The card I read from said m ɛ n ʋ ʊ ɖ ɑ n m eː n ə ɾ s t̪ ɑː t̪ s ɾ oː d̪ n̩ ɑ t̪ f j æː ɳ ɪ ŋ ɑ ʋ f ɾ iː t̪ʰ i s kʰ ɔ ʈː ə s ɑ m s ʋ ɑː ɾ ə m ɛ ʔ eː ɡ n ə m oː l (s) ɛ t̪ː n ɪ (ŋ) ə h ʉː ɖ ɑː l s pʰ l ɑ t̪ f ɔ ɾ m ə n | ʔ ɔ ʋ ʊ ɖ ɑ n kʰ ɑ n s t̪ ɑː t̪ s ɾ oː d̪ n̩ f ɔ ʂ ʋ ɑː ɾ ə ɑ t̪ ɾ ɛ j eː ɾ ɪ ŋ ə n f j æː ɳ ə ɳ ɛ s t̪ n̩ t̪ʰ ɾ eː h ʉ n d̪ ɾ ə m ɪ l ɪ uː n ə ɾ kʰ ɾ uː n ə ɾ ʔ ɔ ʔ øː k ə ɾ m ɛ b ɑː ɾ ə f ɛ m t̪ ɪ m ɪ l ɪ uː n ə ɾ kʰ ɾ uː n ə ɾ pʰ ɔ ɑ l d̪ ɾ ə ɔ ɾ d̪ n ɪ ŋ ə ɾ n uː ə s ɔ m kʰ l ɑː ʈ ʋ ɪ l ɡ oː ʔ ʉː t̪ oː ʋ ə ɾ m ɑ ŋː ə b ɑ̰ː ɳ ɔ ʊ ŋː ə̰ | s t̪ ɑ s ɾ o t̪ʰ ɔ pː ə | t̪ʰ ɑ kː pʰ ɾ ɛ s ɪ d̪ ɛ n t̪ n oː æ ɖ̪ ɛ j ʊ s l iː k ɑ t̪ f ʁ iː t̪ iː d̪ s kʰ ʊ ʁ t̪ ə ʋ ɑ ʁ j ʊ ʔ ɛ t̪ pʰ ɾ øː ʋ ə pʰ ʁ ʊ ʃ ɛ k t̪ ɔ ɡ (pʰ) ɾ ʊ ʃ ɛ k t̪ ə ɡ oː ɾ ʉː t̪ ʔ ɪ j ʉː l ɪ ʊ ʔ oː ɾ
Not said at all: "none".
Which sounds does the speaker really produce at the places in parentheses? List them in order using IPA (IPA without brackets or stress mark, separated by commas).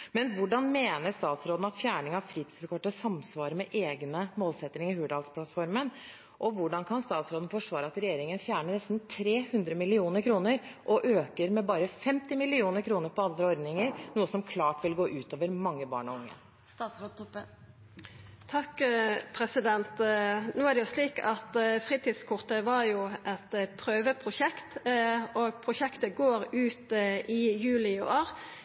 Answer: s, ŋ, pʰ